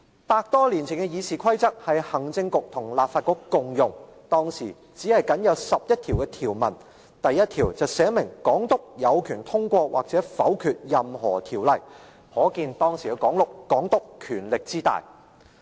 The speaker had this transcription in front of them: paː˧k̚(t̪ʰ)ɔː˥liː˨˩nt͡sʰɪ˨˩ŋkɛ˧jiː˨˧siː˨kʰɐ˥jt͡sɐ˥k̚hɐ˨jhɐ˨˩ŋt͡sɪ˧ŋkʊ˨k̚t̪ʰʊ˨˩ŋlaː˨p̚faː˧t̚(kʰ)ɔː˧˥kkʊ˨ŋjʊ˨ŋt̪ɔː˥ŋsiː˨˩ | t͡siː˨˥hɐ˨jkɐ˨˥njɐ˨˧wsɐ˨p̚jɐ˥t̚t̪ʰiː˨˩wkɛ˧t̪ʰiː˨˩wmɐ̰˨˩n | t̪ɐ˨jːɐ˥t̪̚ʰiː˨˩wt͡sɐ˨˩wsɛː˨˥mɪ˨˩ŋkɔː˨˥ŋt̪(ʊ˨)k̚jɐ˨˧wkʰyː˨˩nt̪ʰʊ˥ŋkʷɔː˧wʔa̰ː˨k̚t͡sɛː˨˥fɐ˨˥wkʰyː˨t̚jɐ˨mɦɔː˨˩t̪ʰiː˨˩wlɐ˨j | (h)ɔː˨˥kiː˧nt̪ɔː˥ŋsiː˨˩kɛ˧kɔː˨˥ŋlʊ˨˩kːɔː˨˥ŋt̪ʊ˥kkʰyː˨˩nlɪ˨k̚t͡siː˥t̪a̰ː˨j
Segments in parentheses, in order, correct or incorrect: incorrect: t̪, incorrect: k, incorrect: ʊ˥, correct

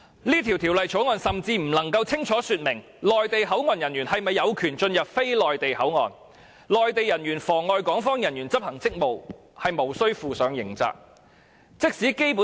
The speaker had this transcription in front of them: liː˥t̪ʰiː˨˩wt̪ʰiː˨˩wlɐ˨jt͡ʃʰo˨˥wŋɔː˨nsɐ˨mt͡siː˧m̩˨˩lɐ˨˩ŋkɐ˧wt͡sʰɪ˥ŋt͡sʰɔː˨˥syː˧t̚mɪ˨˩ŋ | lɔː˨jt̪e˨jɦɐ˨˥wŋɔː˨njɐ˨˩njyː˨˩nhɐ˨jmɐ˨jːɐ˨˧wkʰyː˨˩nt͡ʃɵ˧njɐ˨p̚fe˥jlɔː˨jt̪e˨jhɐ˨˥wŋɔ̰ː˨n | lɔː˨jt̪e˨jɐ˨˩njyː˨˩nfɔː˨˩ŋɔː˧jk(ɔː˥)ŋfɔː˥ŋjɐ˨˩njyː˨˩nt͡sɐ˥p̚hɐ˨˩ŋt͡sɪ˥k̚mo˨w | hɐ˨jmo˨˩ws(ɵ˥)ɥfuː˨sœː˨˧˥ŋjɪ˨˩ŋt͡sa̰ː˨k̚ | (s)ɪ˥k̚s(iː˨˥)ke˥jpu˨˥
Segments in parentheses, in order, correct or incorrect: incorrect: ɔː˨˥, correct, incorrect: t͡s, correct

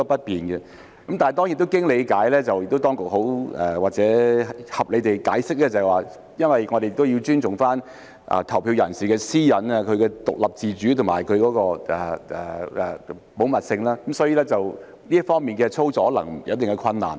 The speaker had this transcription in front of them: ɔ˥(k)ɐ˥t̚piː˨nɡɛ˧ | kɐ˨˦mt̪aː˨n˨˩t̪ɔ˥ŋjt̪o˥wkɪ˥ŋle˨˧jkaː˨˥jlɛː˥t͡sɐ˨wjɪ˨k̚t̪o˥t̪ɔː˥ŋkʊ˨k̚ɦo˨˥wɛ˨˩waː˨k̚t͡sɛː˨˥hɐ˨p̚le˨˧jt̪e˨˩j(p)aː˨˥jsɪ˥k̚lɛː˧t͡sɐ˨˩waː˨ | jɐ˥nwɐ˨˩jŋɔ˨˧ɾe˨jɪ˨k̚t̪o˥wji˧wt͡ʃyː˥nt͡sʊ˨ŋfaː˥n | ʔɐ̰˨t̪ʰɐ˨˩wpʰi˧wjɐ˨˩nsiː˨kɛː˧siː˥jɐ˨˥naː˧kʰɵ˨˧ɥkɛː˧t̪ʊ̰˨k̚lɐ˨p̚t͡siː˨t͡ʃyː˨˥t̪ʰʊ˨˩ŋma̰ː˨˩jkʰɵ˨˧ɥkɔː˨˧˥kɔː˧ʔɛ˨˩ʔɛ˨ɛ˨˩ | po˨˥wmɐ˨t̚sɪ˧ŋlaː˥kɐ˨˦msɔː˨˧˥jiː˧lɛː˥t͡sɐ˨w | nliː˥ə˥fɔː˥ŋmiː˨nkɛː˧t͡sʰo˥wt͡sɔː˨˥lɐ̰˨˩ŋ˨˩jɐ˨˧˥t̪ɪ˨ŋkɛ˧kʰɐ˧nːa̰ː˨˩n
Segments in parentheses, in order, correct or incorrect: incorrect: p, incorrect: k

